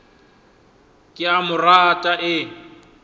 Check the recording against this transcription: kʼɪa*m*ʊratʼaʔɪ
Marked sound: correct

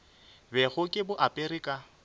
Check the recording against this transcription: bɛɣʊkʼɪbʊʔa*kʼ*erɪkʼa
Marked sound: incorrect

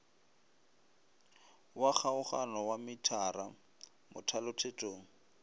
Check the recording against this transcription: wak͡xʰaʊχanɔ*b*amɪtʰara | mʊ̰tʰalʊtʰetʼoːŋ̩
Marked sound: incorrect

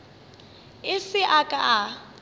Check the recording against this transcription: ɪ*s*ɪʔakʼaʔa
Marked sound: correct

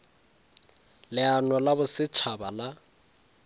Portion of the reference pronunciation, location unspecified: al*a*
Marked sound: correct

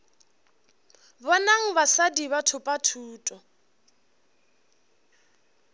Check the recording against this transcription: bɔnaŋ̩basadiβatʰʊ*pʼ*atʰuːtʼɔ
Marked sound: correct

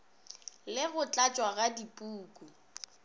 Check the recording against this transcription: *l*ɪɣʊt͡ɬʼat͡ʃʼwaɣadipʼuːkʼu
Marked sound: correct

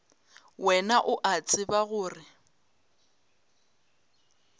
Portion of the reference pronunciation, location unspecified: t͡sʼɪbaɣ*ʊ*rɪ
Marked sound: incorrect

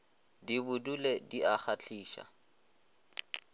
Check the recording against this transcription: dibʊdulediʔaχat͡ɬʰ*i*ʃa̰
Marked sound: incorrect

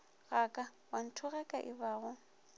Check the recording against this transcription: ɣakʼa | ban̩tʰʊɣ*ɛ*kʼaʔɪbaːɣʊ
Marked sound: correct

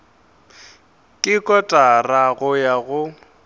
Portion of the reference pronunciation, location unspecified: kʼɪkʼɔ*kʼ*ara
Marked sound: incorrect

